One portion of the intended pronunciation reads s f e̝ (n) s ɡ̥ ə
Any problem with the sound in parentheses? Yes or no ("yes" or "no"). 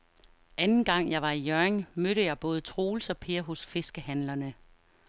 yes